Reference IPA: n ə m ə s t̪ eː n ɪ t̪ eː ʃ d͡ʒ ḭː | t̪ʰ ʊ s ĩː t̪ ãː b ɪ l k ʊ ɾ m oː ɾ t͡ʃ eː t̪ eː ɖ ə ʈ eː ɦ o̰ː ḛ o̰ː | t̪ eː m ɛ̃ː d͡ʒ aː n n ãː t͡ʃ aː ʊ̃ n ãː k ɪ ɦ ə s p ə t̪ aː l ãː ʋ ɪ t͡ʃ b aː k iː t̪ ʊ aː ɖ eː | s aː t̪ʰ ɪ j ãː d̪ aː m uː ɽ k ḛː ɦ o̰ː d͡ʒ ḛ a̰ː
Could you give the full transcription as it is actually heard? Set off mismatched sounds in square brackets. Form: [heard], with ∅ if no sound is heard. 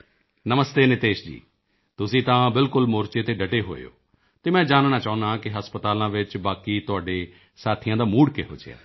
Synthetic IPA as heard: n ə m ə s t̪ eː n ɪ t̪ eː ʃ d͡ʒ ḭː | [t̪] ʊ s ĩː t̪ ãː b ɪ l k ʊ [l] m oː ɾ t͡ʃ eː t̪ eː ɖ ə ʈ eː ɦ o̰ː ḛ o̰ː | t̪ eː m ɛ̃ː d͡ʒ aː n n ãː t͡ʃ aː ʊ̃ n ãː k ɪ ɦ ə s p ə t̪ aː l ãː ʋ ɪ t͡ʃ b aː k iː t̪ ʊ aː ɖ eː | s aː t̪ʰ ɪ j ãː d̪ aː m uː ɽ k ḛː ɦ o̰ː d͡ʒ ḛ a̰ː